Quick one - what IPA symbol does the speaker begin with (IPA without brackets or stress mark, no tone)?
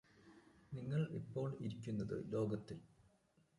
n